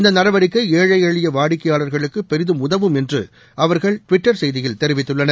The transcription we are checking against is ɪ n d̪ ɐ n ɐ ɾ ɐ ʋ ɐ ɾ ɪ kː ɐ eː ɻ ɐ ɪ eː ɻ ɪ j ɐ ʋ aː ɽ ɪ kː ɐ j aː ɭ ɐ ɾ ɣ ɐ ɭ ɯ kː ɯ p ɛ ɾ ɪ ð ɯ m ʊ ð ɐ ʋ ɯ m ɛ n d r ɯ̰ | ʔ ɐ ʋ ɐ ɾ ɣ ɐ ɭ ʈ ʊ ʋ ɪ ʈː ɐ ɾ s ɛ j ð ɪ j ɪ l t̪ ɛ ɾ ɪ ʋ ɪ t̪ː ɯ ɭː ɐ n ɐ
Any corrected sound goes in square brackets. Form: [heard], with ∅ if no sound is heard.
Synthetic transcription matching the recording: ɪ n d̪ ɐ n ɐ ɾ ɐ ʋ ɐ ɾ ɪ kː ɐ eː ɻ ɐ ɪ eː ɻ ɪ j ɐ ʋ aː ɽ ɪ kː ɐ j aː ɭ ɐ ɾ ɣ ɐ ɭ ɯ kː ɯ p ɛ ɾ ɪ ð ɯ m ʊ ð ɐ ʋ ɯ m ɛ n d r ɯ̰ | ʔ ɐ ʋ ɐ ɾ ɣ ɐ ɭ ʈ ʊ ʋ ɪ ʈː ɐ ɾ s ɛ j ð ɪ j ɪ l t̪ ɛ ɾ ɪ ʋ ɪ t̪ː ɯ ɭː ɐ n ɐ